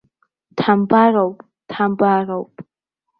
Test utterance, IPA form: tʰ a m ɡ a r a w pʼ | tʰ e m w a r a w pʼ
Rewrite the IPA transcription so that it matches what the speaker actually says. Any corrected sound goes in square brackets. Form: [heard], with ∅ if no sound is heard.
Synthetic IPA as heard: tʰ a m [b] a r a w pʼ | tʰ [a] m [b] a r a w pʼ

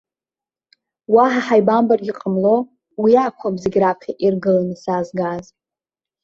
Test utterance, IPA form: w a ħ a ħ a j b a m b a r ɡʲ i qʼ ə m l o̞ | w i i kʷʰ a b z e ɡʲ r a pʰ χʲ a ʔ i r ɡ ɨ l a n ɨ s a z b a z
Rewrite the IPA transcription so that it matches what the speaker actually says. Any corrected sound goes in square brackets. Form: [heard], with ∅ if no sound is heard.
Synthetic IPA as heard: w a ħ a ħ a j b a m b a r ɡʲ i qʼ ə m l o̞ | w i [a] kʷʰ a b z e ɡʲ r a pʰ χʲ a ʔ i r ɡ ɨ l a n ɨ s a z [ɡ] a z

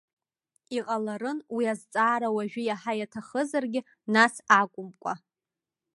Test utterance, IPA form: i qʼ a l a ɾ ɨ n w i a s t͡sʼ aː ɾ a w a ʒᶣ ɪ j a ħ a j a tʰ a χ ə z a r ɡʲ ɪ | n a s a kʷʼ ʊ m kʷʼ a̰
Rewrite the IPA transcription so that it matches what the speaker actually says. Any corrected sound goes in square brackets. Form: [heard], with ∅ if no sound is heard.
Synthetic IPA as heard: i qʼ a l a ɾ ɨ n w i a [z] t͡sʼ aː ɾ a w a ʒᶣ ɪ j a ħ a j a tʰ a χ ə z a r ɡʲ ɪ | n a s a kʷʼ ʊ m kʷʼ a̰

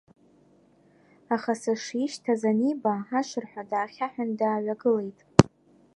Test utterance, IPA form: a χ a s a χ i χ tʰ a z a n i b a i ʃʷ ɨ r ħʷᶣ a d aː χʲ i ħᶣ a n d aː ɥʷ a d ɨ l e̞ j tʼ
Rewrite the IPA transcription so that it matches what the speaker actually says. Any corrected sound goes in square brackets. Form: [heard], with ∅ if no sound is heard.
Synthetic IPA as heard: a χ a s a [ʂ] i [ʃ] tʰ a z a n i b a [a] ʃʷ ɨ r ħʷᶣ a d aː χʲ [a] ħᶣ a n d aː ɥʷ a [ɡ] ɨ l e̞ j tʼ

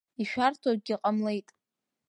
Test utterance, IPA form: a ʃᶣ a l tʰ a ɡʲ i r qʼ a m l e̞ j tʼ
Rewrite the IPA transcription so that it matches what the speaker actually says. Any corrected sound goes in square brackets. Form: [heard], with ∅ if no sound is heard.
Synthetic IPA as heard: [i] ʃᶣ a [r] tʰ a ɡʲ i [∅] qʼ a m l e̞ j tʼ

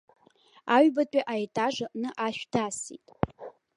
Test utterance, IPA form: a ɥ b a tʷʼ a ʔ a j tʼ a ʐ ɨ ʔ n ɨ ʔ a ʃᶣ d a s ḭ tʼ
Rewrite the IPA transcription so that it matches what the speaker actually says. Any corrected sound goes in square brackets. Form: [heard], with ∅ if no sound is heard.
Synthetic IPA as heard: a ɥ b a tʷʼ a ʔ a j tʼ a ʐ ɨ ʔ n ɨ ʔ a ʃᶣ d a s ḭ tʼ

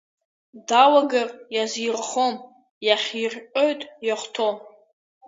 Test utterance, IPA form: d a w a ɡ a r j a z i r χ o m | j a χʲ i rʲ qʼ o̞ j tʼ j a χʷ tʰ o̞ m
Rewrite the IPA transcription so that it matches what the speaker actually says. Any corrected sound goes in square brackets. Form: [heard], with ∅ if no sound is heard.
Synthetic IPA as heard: d a w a ɡ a r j a z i r χ o m | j a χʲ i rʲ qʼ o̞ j tʼ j a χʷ tʰ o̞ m

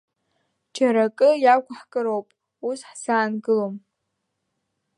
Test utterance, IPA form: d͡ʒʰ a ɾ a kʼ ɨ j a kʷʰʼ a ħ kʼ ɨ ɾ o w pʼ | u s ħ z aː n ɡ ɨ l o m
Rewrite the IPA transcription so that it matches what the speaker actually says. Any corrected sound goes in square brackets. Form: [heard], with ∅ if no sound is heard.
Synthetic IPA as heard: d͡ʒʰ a ɾ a kʼ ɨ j a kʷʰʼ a ħ kʼ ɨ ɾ o w pʼ | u s ħ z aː n ɡ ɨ l o m

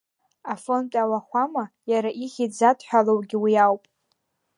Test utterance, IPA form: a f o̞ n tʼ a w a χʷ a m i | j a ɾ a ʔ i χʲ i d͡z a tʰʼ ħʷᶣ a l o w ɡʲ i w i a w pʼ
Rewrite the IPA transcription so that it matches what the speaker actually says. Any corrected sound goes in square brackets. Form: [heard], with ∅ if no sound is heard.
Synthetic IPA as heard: a f o̞ n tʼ a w a χʷ a m [a] | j a ɾ a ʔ i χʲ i d͡z a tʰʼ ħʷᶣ a l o w ɡʲ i w i a w pʼ

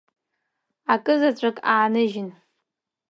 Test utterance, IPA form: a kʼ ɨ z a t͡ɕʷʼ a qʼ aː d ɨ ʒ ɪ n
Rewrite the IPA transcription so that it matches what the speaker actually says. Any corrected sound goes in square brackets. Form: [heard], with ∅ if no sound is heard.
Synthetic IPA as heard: a kʼ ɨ z a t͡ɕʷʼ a [kʼ] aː [n] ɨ ʒ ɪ n

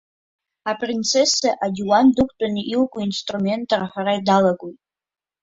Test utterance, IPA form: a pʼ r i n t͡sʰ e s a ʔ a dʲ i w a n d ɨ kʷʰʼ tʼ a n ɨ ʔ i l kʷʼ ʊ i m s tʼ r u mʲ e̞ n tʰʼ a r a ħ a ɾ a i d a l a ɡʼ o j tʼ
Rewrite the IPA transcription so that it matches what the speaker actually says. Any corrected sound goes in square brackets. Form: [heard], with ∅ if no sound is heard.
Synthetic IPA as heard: a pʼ r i n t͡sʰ e s a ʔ a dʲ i w a n d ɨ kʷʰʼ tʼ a n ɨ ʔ i l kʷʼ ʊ i [n] s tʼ r u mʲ e̞ n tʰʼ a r a ħ a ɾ a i d a l a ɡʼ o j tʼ

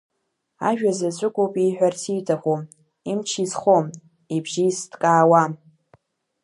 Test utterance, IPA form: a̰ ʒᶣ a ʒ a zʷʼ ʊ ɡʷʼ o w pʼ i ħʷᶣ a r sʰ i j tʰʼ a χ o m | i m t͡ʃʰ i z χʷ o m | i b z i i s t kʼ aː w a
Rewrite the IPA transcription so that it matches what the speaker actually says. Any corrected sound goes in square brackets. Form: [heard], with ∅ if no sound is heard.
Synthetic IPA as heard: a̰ ʒᶣ a [z] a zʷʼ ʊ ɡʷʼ o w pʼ i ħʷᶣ a r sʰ i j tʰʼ a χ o m | i m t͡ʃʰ i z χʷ o m | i b [ʒ] i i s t kʼ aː w a

